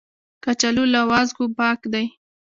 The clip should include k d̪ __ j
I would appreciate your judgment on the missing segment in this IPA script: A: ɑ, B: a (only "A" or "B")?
B